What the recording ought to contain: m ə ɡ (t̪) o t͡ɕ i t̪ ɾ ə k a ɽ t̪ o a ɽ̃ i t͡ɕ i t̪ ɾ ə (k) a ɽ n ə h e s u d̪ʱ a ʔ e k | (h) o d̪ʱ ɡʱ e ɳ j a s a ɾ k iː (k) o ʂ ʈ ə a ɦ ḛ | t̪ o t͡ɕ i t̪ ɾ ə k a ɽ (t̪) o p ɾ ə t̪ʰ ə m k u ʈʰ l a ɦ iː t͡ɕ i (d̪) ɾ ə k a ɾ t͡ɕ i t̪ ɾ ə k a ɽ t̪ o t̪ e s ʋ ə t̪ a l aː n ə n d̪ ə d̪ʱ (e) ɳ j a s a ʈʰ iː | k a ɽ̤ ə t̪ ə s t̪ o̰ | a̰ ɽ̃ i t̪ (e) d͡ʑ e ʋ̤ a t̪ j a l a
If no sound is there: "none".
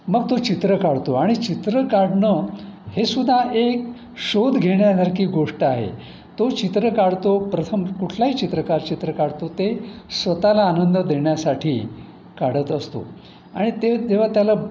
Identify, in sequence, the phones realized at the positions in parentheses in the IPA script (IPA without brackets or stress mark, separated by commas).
t̪, k, ɕ, ɡ, t̪, t̪, e, e